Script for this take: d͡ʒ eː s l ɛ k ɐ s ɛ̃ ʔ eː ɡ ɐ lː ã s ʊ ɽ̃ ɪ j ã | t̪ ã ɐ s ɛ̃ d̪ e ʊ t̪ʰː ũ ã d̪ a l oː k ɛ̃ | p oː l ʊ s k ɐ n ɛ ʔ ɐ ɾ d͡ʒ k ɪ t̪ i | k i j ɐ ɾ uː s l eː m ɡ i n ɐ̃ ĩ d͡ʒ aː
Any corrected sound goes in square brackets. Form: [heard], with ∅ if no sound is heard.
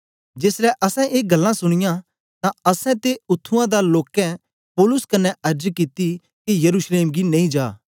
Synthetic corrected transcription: d͡ʒ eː s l ɛ [ʔ] ɐ s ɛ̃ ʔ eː ɡ ɐ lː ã s ʊ ɽ̃ ɪ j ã | t̪ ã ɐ s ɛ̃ [t̪] e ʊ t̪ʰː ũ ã d̪ a l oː k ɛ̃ | p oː l ʊ s k ɐ n ɛ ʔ ɐ ɾ d͡ʒ k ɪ t̪ i | k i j ɐ ɾ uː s l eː m ɡ i n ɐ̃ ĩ d͡ʒ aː

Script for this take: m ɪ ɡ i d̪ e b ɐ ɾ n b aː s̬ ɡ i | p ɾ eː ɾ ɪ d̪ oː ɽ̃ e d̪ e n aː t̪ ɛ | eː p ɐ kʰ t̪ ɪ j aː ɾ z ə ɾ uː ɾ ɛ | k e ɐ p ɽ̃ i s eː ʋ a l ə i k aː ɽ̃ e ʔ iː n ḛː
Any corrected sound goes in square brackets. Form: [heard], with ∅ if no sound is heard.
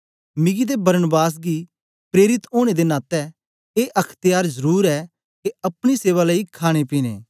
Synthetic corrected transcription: m ɪ ɡ i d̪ e b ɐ ɾ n b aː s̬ ɡ i | p ɾ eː ɾ ɪ [t̪] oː ɽ̃ e d̪ e n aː t̪ ɛ | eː [ʔ] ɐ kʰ t̪ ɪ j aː ɾ z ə ɾ uː ɾ ɛ | k e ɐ p ɽ̃ i s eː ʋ a l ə i [kʰ] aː ɽ̃ e [p] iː n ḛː

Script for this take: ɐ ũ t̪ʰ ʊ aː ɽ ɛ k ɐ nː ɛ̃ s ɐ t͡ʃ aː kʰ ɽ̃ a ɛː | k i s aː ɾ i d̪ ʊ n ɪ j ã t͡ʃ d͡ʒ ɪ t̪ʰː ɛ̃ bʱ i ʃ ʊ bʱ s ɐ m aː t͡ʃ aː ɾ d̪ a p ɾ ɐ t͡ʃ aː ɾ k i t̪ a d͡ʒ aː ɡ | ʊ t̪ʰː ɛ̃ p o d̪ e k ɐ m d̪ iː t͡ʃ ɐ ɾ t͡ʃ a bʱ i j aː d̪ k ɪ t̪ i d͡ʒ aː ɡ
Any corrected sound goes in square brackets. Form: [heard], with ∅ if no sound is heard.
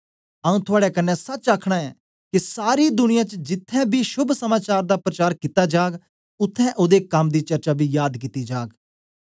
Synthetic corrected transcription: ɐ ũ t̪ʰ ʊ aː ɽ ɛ k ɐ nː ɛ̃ s ɐ t͡ʃ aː kʰ ɽ̃ a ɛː | k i s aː ɾ i d̪ ʊ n ɪ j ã t͡ʃ d͡ʒ ɪ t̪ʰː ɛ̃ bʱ i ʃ ʊ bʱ s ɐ m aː t͡ʃ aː ɾ d̪ a p ɾ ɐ t͡ʃ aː ɾ k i t̪ a d͡ʒ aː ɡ | ʊ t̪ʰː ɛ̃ [ʔ] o d̪ e k ɐ m d̪ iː t͡ʃ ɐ ɾ t͡ʃ a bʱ i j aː d̪ k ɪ t̪ i d͡ʒ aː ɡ

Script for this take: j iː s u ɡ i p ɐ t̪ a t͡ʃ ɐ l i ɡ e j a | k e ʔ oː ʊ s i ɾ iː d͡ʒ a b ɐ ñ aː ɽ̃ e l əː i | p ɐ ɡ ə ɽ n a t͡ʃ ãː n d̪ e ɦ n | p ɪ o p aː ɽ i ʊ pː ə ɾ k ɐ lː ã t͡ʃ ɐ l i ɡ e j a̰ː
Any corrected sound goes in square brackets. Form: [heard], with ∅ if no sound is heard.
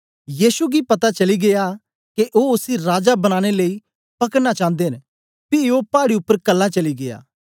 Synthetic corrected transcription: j iː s u ɡ i p ɐ t̪ a t͡ʃ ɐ l i ɡ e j a | k e ʔ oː ʊ s i ɾ [aː] d͡ʒ a b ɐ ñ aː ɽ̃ e l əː i | p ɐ [k] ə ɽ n a t͡ʃ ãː n d̪ e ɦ n | p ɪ o p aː ɽ i ʊ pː ə ɾ k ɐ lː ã t͡ʃ ɐ l i ɡ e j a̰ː

